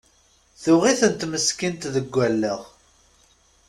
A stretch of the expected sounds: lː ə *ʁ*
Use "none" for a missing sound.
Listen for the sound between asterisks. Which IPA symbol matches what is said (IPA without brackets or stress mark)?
ʁ